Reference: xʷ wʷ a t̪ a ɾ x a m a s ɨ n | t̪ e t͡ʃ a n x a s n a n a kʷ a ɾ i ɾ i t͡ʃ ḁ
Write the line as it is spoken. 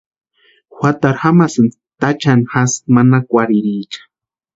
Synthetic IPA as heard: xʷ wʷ a t̪ a ɾ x a m a s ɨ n | t̪ a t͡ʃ a n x a s m a n a kʷ a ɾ i ɾ i t͡ʃ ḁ